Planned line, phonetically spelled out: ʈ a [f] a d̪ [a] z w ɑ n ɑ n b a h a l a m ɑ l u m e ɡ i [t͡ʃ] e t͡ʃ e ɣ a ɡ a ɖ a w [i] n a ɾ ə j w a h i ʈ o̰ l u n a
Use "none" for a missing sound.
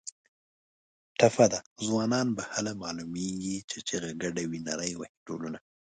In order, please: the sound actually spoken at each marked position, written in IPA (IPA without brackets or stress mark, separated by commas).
f, a, t͡ʃ, i